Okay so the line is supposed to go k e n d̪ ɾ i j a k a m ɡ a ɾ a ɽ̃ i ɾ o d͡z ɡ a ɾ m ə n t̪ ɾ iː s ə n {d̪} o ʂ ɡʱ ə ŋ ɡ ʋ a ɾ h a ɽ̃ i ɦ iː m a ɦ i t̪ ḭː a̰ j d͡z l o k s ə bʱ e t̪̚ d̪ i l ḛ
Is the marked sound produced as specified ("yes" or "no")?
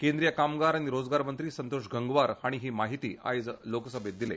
no